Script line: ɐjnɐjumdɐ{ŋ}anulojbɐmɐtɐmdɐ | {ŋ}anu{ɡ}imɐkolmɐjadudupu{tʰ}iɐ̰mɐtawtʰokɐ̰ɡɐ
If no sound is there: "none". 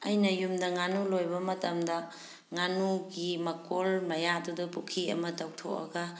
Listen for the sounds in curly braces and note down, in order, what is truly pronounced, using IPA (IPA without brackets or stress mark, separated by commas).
ŋ, ŋ, ɡ, kʰ